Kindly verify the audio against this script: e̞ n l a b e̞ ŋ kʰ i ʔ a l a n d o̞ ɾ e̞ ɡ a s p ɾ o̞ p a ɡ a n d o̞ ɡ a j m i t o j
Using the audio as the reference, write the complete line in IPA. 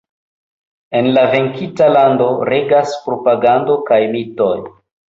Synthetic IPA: e̞ n l a v e̞ ŋ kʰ i t a l a n d o̞ ɾ e̞ ɡ a s p ɾ o̞ p a ɡ a n d o̞ k a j m i t o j